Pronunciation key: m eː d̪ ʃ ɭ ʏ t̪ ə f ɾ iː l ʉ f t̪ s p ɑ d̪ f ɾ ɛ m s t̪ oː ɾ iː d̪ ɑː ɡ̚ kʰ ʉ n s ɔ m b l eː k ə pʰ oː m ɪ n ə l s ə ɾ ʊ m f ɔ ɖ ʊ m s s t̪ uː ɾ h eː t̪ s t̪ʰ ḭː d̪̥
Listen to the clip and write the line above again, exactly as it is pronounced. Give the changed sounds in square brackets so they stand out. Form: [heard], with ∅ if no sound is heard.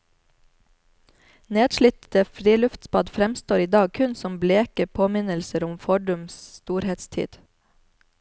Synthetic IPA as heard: [n] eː d̪ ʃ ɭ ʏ t̪ ə f ɾ iː l ʉ f t̪ s p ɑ d̪ f ɾ ɛ m s t̪ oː ɾ iː d̪ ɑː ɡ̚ kʰ ʉ n s ɔ m b l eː k ə pʰ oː m ɪ n ə l s ə ɾ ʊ m f ɔ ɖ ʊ m s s t̪ uː ɾ h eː t̪ s t̪ʰ ḭː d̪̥